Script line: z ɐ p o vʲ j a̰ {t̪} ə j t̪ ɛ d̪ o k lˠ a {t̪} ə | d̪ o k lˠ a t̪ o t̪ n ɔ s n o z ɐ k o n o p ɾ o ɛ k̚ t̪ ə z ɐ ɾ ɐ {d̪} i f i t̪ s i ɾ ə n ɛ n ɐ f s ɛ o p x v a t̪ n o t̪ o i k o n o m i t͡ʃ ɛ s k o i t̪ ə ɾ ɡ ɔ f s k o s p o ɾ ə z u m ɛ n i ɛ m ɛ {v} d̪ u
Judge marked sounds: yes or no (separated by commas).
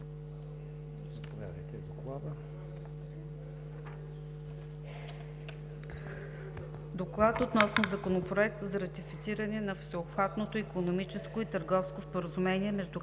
no, no, no, no